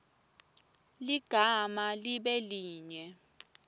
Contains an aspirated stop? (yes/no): no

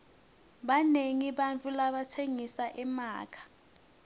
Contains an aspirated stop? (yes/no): yes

